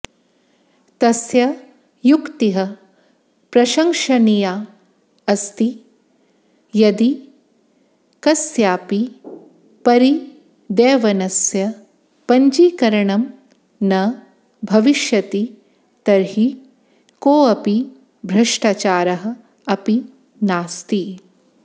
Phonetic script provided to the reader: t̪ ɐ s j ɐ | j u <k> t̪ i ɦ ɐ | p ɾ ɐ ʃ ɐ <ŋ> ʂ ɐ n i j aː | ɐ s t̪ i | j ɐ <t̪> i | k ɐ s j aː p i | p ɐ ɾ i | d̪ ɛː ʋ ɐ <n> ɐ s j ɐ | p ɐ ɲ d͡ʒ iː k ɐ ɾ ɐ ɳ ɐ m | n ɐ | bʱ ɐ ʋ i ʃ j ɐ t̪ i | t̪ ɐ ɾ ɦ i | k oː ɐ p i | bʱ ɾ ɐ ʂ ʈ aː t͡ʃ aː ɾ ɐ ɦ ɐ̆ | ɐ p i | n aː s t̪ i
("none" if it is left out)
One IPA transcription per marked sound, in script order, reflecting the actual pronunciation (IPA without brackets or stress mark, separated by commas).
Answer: k, ŋ, d̪, n